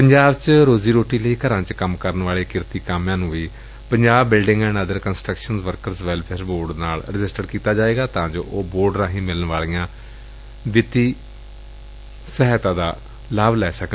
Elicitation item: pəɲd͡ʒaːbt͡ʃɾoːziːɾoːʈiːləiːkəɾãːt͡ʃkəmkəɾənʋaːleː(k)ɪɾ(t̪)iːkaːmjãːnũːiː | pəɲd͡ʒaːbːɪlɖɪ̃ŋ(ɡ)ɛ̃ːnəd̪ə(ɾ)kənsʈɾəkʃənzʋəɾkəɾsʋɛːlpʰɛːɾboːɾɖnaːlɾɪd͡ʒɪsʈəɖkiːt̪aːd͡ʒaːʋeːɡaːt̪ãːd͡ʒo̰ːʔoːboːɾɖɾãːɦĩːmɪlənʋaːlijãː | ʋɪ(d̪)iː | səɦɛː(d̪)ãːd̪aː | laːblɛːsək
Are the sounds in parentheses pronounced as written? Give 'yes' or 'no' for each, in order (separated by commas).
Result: yes, yes, yes, yes, no, no